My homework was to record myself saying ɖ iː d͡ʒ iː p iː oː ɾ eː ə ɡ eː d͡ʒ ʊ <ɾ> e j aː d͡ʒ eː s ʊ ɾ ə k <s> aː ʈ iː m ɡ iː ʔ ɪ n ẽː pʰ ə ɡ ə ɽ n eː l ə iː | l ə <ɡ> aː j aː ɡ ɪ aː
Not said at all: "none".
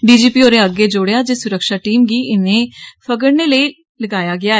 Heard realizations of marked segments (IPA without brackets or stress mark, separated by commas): ɽ, ʃ, ɡ